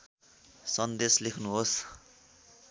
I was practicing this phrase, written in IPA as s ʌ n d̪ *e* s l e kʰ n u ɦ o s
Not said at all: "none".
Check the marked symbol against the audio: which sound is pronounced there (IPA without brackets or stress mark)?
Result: e